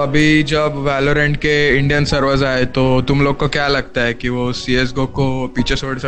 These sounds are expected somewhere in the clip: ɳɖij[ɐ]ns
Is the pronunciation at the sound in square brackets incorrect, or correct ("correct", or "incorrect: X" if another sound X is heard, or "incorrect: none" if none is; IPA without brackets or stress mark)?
incorrect: ə